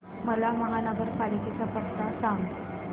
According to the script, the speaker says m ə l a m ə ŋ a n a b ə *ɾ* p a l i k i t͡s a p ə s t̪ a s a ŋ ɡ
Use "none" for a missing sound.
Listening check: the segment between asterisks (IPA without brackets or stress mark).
ɾ